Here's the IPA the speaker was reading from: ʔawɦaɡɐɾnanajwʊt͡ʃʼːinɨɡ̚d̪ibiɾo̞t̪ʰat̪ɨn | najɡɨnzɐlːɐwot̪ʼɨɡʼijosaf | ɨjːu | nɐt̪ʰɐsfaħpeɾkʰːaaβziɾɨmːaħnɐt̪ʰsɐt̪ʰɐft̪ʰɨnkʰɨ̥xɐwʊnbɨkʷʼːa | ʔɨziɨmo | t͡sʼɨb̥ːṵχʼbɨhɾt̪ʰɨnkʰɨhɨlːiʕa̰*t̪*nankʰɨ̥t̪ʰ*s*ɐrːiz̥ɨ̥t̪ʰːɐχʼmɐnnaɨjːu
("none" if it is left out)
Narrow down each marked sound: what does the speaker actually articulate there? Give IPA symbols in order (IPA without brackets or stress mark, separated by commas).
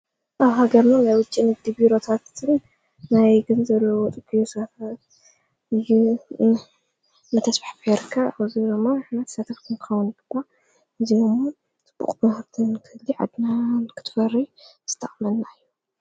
d̪, f